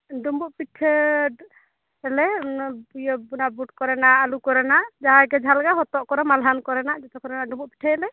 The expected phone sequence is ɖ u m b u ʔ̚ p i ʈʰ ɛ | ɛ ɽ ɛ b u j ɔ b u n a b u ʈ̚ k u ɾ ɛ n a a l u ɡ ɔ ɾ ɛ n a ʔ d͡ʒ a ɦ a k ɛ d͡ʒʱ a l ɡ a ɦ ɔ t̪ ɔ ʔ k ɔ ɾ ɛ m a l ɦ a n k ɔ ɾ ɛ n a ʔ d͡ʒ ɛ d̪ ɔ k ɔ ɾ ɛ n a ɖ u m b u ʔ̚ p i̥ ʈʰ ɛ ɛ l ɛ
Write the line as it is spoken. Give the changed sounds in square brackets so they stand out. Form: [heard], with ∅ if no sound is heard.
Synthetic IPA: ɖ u m b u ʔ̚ p i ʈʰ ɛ | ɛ [l] ɛ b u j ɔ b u n a b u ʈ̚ k [ɔ] ɾ ɛ n a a l u [k] ɔ ɾ ɛ n a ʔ d͡ʒ a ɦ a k ɛ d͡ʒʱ a l ɡ a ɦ ɔ t̪ ɔ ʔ k ɔ ɾ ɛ m a l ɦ a n k ɔ ɾ ɛ n a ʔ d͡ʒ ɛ [t̪] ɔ k ɔ ɾ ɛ n a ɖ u m b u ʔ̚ p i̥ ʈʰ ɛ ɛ l ɛ